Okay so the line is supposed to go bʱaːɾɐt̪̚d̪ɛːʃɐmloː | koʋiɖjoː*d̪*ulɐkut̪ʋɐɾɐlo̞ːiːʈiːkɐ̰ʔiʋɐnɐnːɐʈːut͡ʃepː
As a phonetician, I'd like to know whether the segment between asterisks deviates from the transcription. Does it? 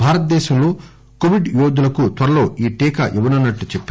no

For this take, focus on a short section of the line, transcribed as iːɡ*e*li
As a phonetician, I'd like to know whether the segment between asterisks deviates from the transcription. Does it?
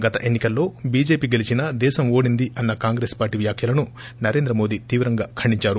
no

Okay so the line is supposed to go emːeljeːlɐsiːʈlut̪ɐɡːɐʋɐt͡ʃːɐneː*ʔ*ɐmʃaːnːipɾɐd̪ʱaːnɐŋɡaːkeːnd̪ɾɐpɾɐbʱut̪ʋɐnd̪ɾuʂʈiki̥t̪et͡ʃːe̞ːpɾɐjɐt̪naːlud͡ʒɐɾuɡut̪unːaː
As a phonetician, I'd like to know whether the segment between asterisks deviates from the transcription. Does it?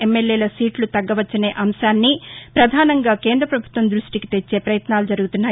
no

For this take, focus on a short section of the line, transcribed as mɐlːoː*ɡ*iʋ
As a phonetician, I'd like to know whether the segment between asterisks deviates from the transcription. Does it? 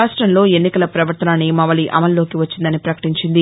yes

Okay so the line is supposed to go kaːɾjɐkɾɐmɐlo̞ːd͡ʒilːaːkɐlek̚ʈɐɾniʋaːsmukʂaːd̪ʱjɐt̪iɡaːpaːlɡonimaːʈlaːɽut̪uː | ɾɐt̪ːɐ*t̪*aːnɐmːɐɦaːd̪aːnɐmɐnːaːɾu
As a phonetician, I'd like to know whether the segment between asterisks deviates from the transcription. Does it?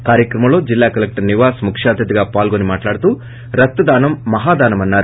yes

